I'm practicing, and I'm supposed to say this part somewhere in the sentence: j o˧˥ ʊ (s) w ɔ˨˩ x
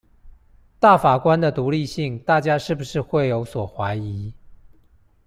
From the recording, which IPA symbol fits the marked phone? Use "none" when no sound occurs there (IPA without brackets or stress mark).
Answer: s